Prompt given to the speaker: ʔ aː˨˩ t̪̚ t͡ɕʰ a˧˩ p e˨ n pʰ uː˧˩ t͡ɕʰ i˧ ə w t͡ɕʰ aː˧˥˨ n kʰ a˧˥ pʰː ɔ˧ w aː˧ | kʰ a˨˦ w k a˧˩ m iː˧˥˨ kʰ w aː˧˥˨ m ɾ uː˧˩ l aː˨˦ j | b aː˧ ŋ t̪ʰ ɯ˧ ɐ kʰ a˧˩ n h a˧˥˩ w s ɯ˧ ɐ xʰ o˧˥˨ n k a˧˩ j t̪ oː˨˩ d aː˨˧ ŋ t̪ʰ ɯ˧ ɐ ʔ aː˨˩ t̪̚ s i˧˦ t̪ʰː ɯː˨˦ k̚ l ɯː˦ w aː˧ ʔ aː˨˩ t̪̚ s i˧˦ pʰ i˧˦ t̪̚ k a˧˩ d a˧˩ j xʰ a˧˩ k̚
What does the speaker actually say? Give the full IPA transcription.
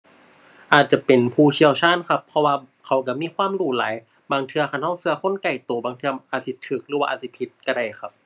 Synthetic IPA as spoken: ʔ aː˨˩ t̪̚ t͡ɕ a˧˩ p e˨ n pʰ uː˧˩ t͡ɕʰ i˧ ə w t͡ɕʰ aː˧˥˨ n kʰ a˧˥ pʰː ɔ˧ w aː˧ | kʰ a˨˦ w k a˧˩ m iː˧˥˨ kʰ w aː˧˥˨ m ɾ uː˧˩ l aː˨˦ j | b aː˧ ŋ t̪ʰ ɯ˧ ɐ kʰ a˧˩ n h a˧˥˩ w s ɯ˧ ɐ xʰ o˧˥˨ n k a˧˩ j t̪ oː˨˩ b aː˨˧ ŋ t̪ʰ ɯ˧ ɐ ʔ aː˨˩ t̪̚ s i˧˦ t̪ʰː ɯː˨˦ k̚ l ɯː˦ w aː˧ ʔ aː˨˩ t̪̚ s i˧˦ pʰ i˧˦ t̪̚ k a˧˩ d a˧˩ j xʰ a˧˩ p̚

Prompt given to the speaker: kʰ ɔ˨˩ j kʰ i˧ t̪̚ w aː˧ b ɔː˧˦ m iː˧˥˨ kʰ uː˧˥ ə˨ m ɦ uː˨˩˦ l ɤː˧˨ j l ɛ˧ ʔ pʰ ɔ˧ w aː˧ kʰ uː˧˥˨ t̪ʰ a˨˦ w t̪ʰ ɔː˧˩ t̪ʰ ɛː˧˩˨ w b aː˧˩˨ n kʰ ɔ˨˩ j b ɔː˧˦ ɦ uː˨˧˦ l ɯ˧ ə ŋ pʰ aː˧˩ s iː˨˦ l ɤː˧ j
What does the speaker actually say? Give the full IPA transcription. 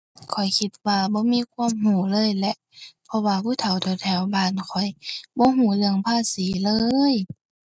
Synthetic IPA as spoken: kʰ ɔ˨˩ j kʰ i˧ t̪̚ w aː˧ b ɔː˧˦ m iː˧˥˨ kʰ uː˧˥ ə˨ m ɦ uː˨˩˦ l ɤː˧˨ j l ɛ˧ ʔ pʰ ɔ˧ w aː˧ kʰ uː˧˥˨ t̪ʰ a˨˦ w t̪ʰ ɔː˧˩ t̪ʰ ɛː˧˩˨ w b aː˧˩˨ n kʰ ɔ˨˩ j b ɔː˧˦ ɦ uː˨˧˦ l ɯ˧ ə ŋ pʰ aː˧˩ s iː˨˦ l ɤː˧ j

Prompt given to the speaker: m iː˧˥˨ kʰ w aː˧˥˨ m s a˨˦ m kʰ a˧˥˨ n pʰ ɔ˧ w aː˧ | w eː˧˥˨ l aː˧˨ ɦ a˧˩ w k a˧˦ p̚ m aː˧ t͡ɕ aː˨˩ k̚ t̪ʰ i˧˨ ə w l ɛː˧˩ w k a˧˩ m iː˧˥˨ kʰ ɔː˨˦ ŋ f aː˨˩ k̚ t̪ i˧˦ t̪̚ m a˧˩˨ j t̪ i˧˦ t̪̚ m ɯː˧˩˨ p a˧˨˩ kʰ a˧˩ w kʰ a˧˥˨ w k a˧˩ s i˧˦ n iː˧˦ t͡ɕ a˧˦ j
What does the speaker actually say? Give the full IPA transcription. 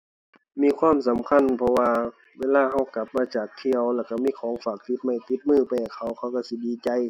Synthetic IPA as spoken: m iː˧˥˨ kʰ w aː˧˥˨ m s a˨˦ m kʰ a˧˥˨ n pʰ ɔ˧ w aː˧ | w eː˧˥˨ l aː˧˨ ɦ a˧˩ w k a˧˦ p̚ m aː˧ t͡ɕ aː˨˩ k̚ t̪ʰ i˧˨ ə w l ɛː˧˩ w k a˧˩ m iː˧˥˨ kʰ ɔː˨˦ ŋ f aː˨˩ k̚ t̪ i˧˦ t̪̚ m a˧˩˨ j t̪ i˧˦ t̪̚ m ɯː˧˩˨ p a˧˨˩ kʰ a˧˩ w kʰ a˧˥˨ w k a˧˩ s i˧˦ d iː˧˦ t͡ɕ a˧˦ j

